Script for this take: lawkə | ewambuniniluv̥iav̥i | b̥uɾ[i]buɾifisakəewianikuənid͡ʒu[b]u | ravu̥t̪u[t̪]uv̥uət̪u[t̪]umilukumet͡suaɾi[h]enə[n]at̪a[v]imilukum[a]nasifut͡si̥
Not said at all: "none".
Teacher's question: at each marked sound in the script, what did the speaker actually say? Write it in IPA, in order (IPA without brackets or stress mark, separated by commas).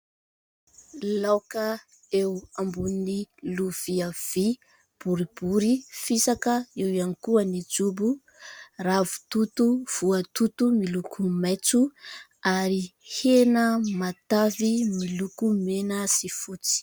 i, b, t̪, t̪, h, m, v, e